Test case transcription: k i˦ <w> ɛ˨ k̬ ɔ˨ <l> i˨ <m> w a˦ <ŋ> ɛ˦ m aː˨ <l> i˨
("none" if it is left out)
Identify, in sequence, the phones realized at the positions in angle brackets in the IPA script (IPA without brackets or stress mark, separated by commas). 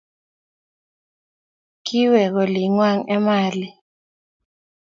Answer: w, l, ŋ, ŋ, l